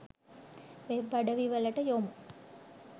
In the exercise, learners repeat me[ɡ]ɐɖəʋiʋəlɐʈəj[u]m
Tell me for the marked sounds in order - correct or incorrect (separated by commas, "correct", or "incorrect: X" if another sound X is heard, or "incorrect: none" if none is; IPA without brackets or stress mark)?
incorrect: b, incorrect: o